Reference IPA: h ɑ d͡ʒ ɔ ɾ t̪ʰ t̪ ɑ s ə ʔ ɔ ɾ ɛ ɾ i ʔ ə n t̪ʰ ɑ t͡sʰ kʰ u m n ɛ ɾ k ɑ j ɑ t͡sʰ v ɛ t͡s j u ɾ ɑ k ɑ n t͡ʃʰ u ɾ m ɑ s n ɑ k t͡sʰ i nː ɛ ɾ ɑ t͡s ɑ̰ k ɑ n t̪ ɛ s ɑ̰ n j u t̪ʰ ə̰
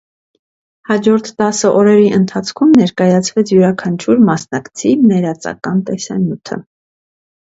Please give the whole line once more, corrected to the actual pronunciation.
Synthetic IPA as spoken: h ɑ d͡ʒ ɔ ɾ t̪ʰ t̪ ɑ s ə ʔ ɔ ɾ ɛ ɾ i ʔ ə n t̪ʰ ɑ t͡sʰ kʰ u m n ɛ ɾ k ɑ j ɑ t͡sʰ v ɛ t͡sʰ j u ɾ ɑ kʰ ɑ n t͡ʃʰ u ɾ m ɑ s n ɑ k t͡sʰ i n ɛ ɾ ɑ t͡s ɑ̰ k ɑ n t̪ ɛ s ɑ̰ n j u t̪ʰ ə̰